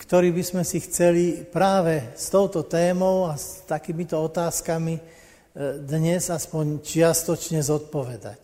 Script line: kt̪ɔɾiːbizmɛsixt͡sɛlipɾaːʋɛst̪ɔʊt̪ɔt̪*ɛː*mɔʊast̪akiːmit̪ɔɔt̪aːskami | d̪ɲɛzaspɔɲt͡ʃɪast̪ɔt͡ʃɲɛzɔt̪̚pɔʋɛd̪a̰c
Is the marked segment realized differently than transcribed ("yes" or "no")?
no